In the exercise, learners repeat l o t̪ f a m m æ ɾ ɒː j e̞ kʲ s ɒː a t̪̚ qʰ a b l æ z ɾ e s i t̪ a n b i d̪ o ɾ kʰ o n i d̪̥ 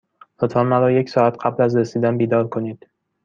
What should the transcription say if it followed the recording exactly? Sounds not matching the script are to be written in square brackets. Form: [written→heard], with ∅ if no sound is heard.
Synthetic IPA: l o t̪ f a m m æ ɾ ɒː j e̞ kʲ s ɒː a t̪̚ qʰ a b l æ z ɾ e s i [t̪→d̪] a n b i d̪ [o→ɒ] ɾ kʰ o n i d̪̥